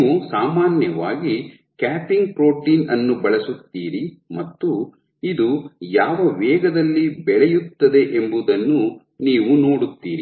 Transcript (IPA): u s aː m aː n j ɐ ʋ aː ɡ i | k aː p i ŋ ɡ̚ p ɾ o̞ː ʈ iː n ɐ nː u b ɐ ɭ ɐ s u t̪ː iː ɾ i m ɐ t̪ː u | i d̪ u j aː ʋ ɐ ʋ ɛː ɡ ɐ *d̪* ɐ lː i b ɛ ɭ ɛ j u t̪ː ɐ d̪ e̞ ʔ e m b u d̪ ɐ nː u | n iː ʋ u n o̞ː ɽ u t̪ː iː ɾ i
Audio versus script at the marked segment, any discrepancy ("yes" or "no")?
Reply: no